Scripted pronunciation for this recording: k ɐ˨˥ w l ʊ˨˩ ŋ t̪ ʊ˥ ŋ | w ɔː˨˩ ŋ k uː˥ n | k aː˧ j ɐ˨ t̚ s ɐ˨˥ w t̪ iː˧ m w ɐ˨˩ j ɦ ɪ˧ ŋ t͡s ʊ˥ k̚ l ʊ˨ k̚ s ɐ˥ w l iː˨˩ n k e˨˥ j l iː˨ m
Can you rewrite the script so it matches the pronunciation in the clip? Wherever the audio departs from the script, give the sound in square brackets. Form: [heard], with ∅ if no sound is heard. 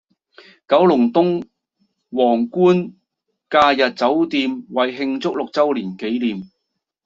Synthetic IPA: k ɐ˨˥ w l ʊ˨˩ ŋ t̪ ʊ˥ ŋ | w ɔː˨˩ ŋ k uː˥ n | k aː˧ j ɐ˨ t̚ [t͡s] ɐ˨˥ w t̪ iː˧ m w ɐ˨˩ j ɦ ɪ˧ ŋ t͡s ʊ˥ k̚ l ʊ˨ k̚ [t͡s] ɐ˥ w l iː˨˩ n k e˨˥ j l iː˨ m